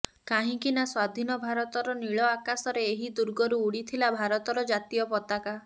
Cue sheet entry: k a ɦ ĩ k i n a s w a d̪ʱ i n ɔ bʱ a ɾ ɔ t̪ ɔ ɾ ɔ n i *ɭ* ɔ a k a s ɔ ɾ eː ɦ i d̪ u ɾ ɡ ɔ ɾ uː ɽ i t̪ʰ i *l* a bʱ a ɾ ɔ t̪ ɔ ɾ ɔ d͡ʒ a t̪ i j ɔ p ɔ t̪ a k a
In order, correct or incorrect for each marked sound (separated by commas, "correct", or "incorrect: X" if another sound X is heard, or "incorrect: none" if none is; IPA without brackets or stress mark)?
correct, correct